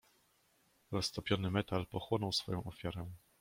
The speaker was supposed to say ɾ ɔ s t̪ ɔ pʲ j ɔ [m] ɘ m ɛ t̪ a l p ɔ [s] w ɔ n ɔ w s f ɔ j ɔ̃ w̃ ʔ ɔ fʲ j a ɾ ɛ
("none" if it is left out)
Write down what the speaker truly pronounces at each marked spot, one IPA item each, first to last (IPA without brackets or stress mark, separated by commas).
n, x